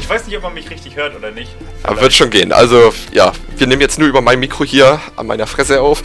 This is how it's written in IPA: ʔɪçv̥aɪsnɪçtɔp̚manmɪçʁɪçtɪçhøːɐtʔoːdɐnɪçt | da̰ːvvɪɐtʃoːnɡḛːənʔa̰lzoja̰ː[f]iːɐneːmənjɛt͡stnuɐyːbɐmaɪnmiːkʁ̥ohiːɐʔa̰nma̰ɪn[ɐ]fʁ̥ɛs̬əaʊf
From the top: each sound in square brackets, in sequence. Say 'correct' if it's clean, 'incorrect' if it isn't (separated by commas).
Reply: incorrect, correct